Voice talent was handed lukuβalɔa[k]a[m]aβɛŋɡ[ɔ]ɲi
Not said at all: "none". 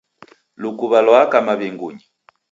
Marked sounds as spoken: k, m, u

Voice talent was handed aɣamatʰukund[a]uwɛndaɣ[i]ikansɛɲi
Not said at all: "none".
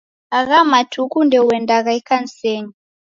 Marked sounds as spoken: ɛ, a

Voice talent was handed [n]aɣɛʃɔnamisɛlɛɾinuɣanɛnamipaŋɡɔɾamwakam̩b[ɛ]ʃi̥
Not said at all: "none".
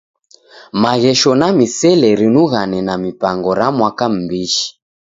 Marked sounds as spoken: m, i

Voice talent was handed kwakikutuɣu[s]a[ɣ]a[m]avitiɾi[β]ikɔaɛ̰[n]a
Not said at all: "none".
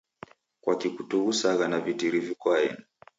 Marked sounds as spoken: s, ɣ, n, v, n

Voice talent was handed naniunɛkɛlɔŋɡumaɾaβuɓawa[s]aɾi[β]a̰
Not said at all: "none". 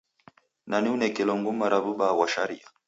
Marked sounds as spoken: ʃ, none

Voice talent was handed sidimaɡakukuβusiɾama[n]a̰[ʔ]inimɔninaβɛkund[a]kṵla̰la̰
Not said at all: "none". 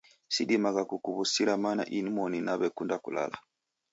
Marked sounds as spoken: n, ʔ, a

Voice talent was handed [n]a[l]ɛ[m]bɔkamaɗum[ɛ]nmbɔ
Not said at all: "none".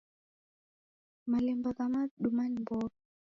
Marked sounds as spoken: m, l, m, a

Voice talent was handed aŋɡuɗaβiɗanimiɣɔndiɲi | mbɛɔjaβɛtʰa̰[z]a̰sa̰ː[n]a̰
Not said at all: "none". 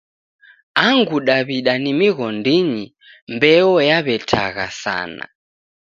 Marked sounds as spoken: ɣ, n

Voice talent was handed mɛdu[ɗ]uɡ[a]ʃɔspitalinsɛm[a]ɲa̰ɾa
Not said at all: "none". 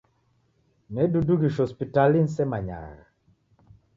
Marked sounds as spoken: d, i, a

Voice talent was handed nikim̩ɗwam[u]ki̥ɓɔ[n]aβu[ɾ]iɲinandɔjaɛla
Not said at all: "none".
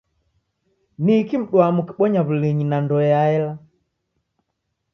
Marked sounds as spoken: u, ɲ, l

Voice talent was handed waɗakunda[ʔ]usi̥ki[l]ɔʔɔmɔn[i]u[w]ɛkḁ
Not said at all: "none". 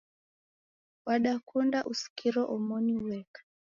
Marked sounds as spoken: ʔ, ɾ, i, w

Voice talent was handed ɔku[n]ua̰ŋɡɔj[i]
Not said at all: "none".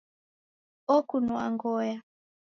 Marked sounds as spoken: n, a

